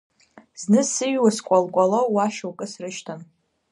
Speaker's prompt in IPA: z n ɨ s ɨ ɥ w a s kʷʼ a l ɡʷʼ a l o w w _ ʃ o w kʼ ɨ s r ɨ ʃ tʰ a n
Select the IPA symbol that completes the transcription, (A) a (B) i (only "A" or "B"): A